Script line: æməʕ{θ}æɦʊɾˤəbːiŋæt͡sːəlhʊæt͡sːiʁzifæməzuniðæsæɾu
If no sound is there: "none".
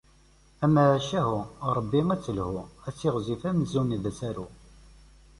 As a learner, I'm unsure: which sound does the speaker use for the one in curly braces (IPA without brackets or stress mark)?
ʃ